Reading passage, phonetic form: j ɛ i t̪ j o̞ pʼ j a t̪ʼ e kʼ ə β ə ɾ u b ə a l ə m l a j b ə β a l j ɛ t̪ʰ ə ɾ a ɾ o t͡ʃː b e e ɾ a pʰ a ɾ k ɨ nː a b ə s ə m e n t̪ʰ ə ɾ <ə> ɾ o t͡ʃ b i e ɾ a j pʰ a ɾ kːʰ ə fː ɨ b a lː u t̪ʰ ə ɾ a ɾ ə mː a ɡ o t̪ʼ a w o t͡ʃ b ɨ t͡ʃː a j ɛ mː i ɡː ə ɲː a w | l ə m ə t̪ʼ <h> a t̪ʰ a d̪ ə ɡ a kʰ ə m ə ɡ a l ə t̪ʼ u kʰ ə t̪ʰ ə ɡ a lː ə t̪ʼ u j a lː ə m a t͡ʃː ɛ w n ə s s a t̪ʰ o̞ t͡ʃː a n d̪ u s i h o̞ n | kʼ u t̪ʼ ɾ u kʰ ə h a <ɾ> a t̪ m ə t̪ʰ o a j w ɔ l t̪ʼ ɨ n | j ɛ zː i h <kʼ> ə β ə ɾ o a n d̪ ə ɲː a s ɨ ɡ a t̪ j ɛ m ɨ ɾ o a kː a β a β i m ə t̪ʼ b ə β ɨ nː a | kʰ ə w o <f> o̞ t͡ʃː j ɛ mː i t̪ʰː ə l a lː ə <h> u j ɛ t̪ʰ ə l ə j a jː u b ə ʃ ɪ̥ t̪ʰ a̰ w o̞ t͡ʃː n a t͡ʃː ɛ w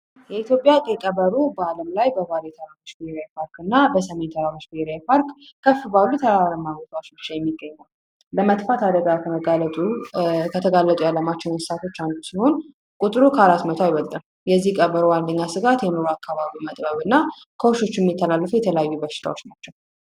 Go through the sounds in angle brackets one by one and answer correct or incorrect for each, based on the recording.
incorrect, incorrect, correct, correct, incorrect, incorrect

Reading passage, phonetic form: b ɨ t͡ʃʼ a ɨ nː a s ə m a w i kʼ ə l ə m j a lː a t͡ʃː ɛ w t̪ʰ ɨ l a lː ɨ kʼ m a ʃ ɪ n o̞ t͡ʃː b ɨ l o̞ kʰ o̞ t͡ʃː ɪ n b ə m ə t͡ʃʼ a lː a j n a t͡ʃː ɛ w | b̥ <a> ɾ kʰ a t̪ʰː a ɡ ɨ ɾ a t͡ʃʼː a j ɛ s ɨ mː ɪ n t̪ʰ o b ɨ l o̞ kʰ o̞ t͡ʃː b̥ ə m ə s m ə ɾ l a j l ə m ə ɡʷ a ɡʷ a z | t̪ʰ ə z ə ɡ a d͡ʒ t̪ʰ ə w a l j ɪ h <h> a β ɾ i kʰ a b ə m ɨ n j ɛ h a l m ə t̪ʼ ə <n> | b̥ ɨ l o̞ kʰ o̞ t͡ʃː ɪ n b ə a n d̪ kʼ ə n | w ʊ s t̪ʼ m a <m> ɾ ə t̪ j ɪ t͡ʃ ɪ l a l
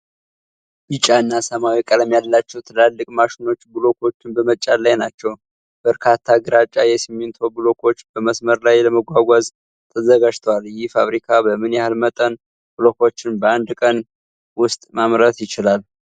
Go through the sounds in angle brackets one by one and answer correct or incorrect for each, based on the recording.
incorrect, incorrect, correct, correct

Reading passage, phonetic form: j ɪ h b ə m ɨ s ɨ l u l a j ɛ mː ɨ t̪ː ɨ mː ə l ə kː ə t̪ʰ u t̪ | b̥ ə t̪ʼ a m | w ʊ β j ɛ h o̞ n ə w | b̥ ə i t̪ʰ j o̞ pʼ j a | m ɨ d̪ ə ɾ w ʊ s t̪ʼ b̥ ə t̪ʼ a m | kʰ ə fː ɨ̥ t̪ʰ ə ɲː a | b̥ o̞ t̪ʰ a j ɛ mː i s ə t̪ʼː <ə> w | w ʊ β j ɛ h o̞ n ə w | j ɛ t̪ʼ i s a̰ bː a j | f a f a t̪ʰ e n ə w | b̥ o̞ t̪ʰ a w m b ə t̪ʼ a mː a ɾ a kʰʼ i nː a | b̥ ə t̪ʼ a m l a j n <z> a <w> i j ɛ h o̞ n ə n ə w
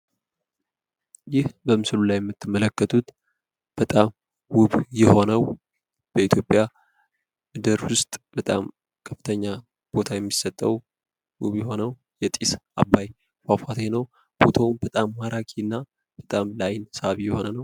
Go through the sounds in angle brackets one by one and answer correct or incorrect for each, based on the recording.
correct, incorrect, incorrect

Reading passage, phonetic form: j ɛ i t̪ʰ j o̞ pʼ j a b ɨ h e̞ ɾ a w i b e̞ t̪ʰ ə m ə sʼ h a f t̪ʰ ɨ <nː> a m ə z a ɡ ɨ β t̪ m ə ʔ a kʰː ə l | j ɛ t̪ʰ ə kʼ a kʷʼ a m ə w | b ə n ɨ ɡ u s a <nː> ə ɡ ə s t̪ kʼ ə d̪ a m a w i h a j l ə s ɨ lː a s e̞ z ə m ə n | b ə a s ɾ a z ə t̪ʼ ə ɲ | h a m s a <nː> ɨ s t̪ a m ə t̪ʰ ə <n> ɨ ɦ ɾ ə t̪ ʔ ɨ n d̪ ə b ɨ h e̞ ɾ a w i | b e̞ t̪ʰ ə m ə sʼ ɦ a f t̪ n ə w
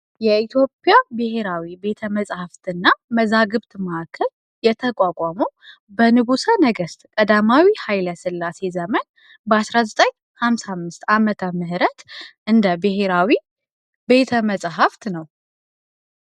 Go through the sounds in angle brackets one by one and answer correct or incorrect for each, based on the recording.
correct, incorrect, incorrect, incorrect

